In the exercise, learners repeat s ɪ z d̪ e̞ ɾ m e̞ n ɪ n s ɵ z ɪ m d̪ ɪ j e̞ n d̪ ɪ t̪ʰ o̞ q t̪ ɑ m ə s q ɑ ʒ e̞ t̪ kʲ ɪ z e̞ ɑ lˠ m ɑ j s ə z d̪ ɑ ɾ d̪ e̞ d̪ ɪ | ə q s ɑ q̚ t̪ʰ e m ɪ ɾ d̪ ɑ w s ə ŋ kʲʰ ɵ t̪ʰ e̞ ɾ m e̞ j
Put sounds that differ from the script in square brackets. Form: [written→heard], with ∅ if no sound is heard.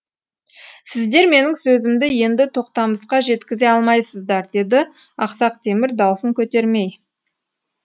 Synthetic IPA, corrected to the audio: s ɪ z d̪ e̞ ɾ m e̞ n ɪ [n→ŋ] s ɵ z ɪ m d̪ ɪ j e̞ n d̪ ɪ t̪ʰ o̞ q t̪ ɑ m ə s q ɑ ʒ e̞ t̪ kʲ ɪ z e̞ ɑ lˠ m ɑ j s ə z d̪ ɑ ɾ d̪ e̞ d̪ ɪ | [ə→ɑ] q s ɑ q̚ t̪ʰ e m ɪ ɾ d̪ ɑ w s ə ŋ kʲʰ ɵ [t̪ʰ→t̪] e̞ ɾ m e̞ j